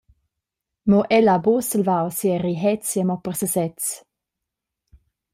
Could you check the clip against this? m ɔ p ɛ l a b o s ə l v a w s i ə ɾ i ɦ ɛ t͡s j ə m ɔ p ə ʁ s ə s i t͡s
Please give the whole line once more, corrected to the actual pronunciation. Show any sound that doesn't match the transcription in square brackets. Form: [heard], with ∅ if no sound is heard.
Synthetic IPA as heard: m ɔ [ʔ] ɛ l a b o s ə l v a w s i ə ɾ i ɦ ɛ t͡s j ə m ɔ p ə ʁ s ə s [ɛ] t͡s